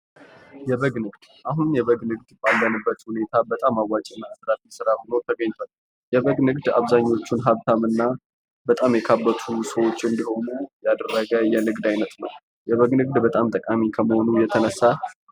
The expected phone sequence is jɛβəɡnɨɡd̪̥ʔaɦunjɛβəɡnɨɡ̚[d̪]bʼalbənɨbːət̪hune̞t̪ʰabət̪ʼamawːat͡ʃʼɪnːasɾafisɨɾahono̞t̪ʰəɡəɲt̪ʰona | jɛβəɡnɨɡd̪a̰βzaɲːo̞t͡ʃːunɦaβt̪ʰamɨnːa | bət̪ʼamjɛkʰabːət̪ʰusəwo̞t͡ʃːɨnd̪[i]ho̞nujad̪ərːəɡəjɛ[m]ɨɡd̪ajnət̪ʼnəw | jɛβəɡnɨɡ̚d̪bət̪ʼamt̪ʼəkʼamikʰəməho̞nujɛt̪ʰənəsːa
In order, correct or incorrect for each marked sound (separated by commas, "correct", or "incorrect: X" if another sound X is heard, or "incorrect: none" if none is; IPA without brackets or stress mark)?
correct, correct, incorrect: n